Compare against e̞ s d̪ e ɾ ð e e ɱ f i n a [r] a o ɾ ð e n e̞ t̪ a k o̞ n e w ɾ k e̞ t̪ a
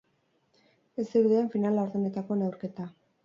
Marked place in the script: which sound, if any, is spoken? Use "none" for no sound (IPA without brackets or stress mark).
l